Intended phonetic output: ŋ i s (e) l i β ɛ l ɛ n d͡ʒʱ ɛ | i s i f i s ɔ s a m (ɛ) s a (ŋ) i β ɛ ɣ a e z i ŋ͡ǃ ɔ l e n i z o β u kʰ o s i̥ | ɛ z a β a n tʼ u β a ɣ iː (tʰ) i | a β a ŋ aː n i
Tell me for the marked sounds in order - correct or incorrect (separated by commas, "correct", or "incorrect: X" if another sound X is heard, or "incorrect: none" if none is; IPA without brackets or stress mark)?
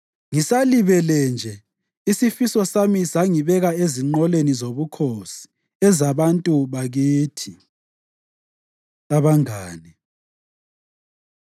incorrect: a, incorrect: i, correct, correct